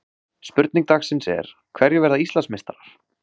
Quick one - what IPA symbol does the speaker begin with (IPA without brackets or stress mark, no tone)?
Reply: s